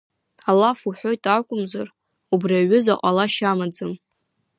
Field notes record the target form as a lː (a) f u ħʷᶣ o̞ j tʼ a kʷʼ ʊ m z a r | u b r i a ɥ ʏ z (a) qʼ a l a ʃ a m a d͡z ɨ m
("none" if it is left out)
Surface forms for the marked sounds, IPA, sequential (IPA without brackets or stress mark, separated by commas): a, a